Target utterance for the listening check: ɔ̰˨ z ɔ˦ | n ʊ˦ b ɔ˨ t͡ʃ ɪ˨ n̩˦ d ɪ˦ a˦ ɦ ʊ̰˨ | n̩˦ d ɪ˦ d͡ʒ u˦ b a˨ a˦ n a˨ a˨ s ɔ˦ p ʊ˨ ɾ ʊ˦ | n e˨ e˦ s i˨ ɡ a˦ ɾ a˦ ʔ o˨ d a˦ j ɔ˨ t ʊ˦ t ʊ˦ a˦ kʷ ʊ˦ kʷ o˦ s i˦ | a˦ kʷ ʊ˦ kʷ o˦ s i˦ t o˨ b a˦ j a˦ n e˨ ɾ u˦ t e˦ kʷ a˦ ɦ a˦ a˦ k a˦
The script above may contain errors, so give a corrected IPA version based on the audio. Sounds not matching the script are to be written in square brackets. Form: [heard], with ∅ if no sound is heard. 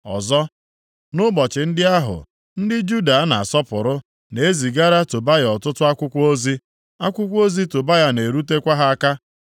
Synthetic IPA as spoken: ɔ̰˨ z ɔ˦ | n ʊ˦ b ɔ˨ t͡ʃ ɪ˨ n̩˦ d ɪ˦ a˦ ɦ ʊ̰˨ | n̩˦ d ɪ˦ d͡ʒ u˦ [d] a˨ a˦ n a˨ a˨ s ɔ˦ p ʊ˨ ɾ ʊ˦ | n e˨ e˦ [z] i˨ ɡ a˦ ɾ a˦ [t] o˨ [b] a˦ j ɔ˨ t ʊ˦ t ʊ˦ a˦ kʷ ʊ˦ kʷ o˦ [z] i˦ | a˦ kʷ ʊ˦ kʷ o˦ [z] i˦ t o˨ b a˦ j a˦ n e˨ ɾ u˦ t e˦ kʷ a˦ ɦ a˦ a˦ k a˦